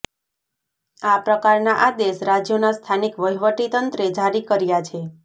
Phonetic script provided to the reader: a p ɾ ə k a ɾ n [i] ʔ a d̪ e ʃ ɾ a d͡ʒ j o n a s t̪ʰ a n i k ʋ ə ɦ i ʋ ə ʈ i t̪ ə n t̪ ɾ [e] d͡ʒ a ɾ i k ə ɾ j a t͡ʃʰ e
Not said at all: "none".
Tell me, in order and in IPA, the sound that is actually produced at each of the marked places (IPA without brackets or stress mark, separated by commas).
a, e